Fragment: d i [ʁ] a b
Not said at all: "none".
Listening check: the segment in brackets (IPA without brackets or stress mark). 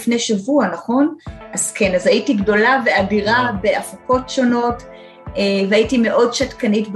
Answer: ʁ